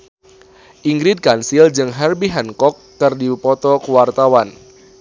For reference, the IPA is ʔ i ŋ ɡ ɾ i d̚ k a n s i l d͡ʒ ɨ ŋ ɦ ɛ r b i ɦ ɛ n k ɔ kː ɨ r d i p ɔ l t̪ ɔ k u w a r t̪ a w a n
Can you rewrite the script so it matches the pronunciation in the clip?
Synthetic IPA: ʔ i ŋ ɡ ɾ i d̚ k a n s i l d͡ʒ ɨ ŋ ɦ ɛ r b i ɦ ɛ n k ɔ kː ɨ r d i p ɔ t̪ ɔ k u w a r t̪ a w a n